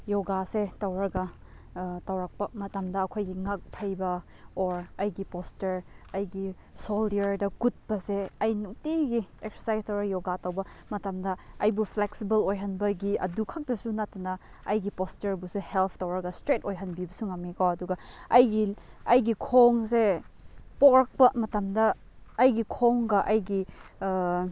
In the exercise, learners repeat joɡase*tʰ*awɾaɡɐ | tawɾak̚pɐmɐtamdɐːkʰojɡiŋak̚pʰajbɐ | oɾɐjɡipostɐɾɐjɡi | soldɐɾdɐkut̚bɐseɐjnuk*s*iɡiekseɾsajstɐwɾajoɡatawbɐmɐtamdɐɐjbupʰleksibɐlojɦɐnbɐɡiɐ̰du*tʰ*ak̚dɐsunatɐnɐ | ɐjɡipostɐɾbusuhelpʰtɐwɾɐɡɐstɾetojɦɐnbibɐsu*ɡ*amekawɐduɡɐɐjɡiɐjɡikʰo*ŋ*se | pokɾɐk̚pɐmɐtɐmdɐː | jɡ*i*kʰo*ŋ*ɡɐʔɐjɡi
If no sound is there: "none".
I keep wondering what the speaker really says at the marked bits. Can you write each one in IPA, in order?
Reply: t, t, kʰ, ŋ, ŋ, i, ŋ

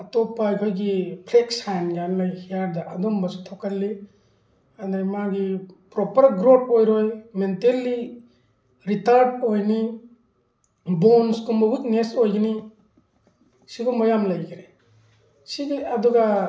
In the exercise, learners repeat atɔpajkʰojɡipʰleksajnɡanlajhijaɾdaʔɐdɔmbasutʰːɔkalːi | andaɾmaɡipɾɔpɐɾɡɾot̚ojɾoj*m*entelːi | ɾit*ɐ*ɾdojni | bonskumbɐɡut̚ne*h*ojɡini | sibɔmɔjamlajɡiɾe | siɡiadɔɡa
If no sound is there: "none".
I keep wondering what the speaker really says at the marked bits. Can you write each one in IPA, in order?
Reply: m, a, s

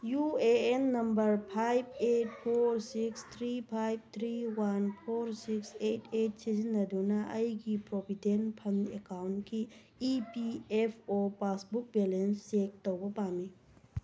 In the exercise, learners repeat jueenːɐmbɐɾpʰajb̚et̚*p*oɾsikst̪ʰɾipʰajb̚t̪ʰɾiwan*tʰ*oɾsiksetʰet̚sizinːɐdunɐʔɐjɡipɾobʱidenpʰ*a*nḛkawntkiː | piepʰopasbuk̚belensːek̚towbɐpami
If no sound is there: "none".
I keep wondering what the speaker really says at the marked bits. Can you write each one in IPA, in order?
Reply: pʰ, pʰ, ɐ

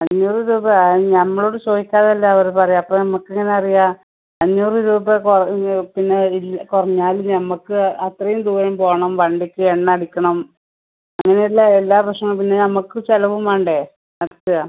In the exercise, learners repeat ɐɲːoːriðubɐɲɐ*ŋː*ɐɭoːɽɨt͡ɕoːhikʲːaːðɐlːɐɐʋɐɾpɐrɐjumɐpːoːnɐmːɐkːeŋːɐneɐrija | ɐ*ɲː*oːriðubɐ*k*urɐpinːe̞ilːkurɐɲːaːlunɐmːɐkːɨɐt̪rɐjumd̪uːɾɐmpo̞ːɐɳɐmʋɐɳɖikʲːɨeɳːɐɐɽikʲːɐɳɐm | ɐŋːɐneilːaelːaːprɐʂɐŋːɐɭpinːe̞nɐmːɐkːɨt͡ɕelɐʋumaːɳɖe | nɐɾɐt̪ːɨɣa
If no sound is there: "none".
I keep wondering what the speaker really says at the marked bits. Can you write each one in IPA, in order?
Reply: mː, ɲː, k

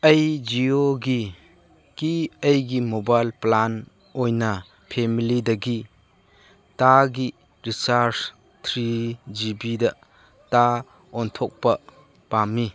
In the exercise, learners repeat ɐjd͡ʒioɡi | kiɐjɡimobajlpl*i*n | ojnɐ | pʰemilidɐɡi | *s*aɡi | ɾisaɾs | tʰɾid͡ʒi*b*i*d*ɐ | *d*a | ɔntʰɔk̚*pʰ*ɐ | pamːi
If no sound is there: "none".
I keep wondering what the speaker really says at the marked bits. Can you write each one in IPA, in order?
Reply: a, t, b, d, t, p

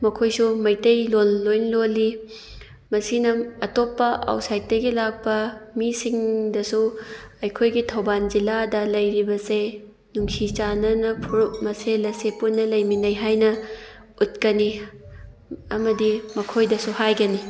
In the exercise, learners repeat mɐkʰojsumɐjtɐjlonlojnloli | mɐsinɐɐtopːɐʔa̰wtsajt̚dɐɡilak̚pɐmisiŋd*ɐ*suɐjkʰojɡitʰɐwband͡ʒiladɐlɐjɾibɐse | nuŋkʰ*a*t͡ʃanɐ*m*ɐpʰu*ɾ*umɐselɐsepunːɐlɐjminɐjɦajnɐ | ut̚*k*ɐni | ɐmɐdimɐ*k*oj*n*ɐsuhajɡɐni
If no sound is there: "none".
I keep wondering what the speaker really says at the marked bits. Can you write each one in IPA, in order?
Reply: ɐ, i, n, ɾ, k, kʰ, d

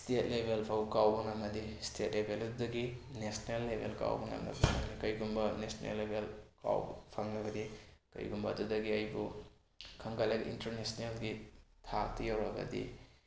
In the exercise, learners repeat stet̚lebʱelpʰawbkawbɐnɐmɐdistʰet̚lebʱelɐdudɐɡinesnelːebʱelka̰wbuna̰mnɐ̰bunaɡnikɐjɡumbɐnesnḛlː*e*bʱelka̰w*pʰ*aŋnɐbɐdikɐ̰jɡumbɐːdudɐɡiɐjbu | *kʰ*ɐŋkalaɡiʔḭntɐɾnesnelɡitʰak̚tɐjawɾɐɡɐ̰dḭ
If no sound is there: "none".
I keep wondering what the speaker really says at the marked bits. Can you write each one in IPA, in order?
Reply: e, pʰ, kʰ

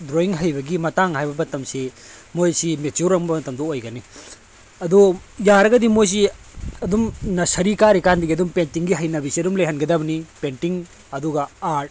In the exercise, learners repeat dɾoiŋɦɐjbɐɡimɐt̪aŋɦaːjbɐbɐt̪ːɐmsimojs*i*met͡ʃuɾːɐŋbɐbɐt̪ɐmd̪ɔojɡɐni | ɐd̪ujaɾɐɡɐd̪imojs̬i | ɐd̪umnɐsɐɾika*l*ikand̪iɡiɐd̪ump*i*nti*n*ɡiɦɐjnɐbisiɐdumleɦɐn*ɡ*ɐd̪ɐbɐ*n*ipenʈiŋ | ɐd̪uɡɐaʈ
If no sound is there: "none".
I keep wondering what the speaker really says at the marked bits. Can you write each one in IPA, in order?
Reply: i, ɾ, e, ŋ, ɡ, n

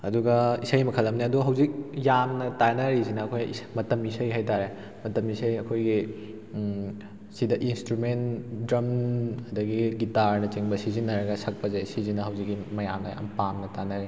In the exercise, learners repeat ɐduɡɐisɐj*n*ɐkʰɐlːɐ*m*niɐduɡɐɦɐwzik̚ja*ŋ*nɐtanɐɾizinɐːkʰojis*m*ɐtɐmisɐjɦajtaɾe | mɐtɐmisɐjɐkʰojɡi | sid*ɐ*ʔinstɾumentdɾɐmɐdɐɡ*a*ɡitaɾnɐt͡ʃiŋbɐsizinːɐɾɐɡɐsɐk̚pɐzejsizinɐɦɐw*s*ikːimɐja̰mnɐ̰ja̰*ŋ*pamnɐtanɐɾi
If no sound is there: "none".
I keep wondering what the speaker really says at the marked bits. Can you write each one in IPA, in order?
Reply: m, m, m, m, ɐ, i, z, m

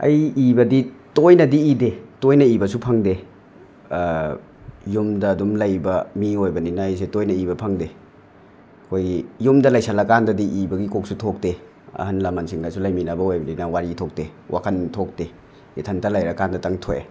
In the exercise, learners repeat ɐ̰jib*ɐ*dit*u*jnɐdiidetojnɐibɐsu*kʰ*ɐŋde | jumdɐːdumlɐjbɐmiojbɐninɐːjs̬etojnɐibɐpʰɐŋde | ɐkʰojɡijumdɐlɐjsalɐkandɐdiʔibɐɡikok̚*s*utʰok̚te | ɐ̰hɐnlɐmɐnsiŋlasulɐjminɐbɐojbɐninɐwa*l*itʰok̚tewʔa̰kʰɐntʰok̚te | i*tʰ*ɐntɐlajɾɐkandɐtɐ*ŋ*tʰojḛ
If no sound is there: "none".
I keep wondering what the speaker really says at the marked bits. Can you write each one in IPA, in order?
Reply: ɐ, o, pʰ, s, ɾ, tʰ, ŋ

